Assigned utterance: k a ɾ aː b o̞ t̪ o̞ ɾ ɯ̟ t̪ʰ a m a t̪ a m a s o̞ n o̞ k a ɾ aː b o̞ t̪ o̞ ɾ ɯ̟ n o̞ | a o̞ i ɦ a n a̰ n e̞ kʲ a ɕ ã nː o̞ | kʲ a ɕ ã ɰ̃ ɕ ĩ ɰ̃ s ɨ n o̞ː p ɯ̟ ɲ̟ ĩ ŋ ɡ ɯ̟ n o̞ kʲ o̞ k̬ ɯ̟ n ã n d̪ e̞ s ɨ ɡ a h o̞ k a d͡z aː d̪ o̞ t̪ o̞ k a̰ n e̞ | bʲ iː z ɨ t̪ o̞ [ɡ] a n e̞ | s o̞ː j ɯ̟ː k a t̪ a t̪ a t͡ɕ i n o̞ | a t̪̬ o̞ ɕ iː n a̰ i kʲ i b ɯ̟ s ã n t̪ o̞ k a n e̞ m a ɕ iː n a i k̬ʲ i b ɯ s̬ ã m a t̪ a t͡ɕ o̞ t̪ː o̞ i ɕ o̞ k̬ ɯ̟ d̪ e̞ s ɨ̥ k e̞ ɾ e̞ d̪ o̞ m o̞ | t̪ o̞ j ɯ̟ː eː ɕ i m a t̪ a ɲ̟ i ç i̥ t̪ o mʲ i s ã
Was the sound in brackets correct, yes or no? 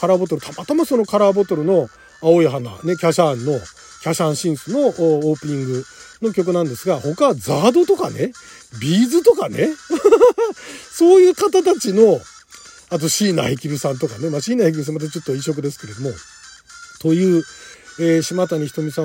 no